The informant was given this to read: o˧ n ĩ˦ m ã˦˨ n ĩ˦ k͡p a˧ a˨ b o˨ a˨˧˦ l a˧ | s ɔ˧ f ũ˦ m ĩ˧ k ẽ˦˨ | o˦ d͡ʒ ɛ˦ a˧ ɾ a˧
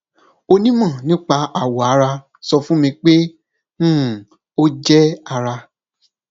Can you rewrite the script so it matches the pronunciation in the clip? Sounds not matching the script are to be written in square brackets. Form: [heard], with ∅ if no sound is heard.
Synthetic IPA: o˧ n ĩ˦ m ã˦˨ n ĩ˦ k͡p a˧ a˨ [w] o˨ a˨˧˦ [ɾ] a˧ | s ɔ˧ f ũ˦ m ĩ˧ [k͡p] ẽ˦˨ | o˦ d͡ʒ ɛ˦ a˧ ɾ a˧